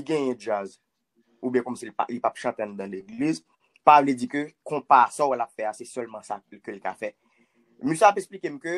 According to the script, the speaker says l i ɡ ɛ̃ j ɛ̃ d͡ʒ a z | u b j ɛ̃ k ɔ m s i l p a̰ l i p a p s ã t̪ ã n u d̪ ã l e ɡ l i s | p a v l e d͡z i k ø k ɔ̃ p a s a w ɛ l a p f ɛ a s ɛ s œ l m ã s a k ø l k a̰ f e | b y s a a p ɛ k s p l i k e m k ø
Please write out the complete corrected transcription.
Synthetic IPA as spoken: l i ɡ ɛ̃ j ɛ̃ d͡ʒ a z | u b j ɛ̃ k ɔ m s i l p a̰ l i p a p ʃ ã t̪ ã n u d̪ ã l e ɡ l i z | p a v l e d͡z i k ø k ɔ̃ p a s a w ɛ l a p f ɛ a s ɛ s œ l m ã s a k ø l k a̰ f ɛ | m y s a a p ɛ k s p l i k e m k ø